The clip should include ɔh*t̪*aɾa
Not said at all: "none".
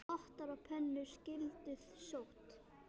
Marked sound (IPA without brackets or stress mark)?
t̪